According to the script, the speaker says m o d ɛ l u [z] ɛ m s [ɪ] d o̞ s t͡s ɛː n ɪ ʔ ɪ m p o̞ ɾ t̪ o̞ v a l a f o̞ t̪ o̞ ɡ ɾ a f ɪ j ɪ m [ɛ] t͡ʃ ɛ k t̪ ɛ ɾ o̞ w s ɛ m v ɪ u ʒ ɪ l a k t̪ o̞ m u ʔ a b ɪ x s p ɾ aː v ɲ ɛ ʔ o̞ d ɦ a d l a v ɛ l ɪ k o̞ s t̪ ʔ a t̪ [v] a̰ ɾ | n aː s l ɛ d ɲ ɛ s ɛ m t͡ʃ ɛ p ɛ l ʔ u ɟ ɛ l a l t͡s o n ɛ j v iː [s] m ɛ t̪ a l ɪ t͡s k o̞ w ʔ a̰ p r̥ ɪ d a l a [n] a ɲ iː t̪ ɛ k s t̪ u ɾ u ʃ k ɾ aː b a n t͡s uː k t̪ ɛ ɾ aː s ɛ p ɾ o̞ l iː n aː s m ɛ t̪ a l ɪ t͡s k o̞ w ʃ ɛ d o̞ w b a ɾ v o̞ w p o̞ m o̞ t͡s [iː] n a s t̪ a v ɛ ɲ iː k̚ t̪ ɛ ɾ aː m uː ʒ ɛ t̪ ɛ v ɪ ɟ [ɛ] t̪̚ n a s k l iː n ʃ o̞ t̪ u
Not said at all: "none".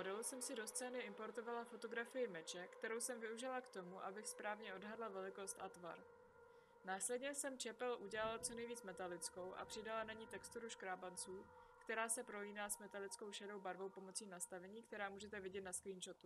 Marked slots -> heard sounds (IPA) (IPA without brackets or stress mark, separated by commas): s, ɪ, ɛ, v, t͡s, n, iː, ɛ